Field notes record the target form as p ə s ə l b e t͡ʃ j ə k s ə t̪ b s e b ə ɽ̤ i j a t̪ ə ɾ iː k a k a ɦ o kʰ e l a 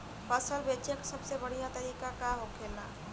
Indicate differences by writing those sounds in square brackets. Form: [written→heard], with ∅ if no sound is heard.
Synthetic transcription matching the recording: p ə s ə l b e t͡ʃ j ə k s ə [t̪→∅] b s e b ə ɽ̤ i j a t̪ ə ɾ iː k a k a ɦ o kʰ e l a